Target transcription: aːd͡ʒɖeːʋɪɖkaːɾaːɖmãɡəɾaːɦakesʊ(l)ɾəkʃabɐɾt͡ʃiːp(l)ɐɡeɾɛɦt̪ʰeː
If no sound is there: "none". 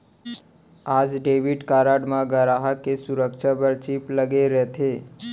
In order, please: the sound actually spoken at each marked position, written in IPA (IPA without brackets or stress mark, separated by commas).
none, l